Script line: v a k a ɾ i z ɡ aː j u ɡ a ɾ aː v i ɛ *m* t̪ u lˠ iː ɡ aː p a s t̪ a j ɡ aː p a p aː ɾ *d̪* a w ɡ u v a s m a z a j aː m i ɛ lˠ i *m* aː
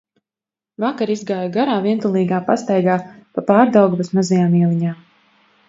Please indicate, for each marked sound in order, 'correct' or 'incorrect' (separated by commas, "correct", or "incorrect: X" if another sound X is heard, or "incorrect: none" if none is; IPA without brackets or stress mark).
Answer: incorrect: n, correct, incorrect: ɲ